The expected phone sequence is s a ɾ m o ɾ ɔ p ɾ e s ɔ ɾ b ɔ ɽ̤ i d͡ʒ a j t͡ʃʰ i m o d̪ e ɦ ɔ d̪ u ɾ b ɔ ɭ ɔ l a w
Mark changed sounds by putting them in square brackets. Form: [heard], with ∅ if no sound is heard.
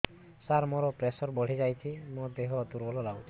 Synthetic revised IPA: s a ɾ m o ɾ ɔ p ɾ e s ɔ ɾ b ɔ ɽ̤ i d͡ʒ a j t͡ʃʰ i m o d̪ e ɦ ɔ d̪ u ɾ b ɔ [l] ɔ l a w